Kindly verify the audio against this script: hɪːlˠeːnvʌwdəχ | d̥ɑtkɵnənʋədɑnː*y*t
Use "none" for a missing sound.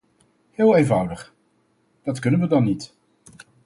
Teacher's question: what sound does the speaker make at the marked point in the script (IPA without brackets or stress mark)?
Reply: i